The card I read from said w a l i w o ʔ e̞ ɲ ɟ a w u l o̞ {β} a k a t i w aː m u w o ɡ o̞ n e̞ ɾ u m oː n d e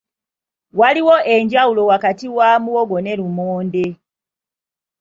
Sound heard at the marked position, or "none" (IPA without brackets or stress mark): w